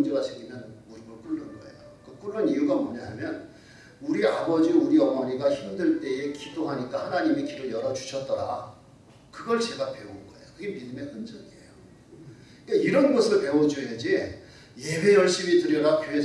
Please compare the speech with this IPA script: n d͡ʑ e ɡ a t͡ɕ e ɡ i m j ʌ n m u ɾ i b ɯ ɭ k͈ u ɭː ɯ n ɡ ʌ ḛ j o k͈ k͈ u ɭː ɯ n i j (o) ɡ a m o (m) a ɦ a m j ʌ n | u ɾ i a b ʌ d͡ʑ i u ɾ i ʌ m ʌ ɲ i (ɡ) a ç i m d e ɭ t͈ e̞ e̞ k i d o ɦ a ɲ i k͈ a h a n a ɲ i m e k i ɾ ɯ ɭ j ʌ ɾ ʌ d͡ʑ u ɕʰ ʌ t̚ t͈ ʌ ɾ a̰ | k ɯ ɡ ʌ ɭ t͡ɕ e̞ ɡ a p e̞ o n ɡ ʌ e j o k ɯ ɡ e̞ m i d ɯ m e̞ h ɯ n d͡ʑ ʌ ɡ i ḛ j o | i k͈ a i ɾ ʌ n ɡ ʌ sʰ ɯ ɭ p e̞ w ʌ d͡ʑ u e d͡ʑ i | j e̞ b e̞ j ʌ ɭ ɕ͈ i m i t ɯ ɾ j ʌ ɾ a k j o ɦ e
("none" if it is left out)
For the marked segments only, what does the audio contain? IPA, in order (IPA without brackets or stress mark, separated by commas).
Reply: u, ɲ, ɡ